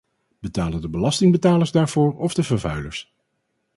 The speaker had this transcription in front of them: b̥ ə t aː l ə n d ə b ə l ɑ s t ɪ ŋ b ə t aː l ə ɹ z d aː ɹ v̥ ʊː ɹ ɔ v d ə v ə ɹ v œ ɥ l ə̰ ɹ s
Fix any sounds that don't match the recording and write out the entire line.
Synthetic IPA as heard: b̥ ə t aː l ə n d ə b ə l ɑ s t ɪ ŋ b ə t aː l ə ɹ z d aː ɹ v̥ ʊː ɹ ɔ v d ə v ə ɹ v œ ɥ l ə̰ ɹ s